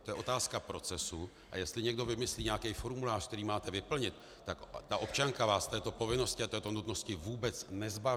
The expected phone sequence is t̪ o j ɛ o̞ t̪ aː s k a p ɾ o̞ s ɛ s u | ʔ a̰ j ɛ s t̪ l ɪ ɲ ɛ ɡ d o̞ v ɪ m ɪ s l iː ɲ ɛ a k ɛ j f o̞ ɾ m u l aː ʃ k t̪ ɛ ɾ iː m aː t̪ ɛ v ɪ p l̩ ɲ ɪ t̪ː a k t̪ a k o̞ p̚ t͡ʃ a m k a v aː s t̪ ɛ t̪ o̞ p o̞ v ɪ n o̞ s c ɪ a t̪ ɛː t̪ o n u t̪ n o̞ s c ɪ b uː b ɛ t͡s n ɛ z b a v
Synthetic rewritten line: t̪ o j ɛ o̞ t̪ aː s k a p ɾ o̞ t͡s ɛ s u | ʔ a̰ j ɛ s t̪ l ɪ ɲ ɛ ɡ d o̞ v ɪ m ɪ s l iː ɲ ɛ a k ɛ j f o̞ ɾ m u l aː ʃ k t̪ ɛ ɾ iː m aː t̪ ɛ v ɪ p l̩ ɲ ɪ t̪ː a k t̪ a ʔ o̞ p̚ t͡ʃ a ŋ k a v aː s t̪ ɛː t̪ o̞ p o̞ v ɪ n o̞ s c ɪ a t̪ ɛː t̪ o n u t̪ n o̞ s c ɪ v uː b ɛ t͡s n ɛ z b a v

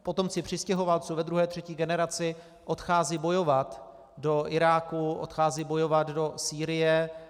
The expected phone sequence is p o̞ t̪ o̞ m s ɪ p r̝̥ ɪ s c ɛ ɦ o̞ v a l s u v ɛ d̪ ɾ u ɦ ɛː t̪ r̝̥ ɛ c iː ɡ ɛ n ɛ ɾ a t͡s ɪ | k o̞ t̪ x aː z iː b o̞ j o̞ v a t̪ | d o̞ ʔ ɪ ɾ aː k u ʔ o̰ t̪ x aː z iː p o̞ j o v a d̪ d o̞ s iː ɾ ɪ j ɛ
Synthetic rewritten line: p o̞ t̪ o̞ m t͡s ɪ p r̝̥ ɪ s c ɛ ɦ o̞ v a l t͡s u v ɛ d̪ ɾ u ɦ ɛː t̪ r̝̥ ɛ c iː ɡ ɛ n ɛ ɾ a t͡s ɪ | ʔ o̞ t̪ x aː z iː b o̞ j o̞ v a t̪ | d o̞ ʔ ɪ ɾ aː k u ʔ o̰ t̪ x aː z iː b o̞ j o v a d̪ d o̞ s iː ɾ ɪ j ɛ

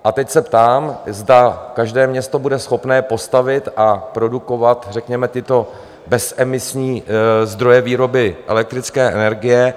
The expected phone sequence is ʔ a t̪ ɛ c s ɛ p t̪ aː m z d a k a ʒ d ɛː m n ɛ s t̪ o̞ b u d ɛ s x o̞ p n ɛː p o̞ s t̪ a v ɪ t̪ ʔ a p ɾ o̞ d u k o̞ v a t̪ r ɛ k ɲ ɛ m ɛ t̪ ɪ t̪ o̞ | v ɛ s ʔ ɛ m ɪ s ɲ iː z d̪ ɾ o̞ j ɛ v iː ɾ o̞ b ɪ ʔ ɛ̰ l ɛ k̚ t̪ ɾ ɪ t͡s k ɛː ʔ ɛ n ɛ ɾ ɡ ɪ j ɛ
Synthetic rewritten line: ʔ a t̪ ɛ c s ɛ p t̪ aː m z d a k a ʒ d ɛː m ɲ ɛ s t̪ o̞ b u d ɛ s x o̞ p n ɛː p o̞ s t̪ a v ɪ t̪ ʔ a p ɾ o̞ d u k o̞ v a t̪ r ɛ k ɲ ɛ m ɛ t̪ ɪ t̪ o̞ | b ɛ s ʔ ɛ m ɪ s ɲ iː z d̪ ɾ o̞ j ɛ v iː ɾ o̞ b ɪ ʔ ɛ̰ l ɛ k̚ t̪ ɾ ɪ t͡s k ɛː ʔ ɛ n ɛ ɾ ɡ ɪ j ɛ

